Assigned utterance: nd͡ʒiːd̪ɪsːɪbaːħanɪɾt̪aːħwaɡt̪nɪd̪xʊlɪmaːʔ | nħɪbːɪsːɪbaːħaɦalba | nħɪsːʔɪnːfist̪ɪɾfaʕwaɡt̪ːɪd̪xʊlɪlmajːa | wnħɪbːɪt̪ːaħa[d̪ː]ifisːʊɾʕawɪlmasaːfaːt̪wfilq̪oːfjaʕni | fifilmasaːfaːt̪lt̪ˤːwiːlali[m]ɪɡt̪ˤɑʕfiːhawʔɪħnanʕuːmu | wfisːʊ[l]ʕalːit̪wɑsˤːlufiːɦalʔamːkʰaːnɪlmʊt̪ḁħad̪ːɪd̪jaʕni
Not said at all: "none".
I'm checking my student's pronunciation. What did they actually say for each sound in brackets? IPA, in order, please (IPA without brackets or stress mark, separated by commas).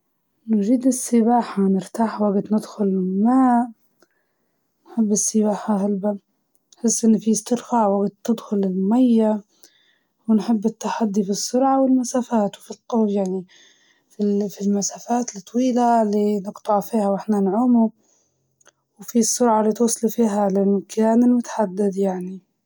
d̪ː, n, ɾ